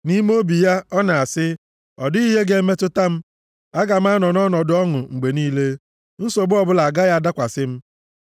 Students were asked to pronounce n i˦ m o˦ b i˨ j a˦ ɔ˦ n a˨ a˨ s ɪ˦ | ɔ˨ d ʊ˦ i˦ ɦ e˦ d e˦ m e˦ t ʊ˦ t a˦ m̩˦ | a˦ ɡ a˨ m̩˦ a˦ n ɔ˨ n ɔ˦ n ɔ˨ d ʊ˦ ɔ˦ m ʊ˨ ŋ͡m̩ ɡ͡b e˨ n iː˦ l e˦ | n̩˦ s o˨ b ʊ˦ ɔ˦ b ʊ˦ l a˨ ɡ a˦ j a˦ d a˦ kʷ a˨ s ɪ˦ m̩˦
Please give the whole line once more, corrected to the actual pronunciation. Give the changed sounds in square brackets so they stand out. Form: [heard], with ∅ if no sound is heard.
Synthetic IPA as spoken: n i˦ m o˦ b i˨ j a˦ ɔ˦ n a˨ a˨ s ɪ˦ | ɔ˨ d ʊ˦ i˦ ɦ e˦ [ɡ] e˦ m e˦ t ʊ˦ t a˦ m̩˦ | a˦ ɡ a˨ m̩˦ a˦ n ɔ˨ n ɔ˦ n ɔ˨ d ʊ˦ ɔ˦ [ŋ] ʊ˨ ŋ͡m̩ ɡ͡b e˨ n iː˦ l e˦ | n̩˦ s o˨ b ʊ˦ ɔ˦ b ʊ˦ l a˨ ɡ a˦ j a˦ d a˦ kʷ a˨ s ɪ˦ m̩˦